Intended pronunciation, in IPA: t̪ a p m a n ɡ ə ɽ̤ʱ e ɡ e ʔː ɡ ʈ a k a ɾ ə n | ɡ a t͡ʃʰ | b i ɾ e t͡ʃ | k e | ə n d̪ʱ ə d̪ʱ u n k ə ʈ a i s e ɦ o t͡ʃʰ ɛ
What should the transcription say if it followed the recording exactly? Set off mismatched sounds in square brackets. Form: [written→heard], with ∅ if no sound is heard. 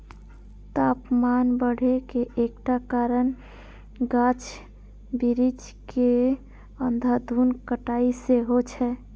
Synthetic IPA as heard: t̪ a p m a n [ɡ→b] ə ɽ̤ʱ e [ɡ→k] e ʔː [ɡ→k] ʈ a k a ɾ ə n | ɡ a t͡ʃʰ | b i ɾ [e→i] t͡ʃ | k e | ə n d̪ʱ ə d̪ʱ u n k ə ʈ a i s e ɦ o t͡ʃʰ ɛ